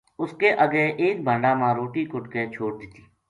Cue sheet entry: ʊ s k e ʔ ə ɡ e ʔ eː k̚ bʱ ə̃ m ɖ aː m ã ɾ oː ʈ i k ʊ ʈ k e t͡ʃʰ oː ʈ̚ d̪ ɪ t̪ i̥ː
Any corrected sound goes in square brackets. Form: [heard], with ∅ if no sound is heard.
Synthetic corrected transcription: ʊ s k e ʔ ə ɡ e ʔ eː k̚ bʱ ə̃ [ɳ] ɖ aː m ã ɾ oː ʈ i k ʊ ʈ k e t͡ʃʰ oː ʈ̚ d̪ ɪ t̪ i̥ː